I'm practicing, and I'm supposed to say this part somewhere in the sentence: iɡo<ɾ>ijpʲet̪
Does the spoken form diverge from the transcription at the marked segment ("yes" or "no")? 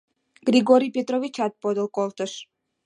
no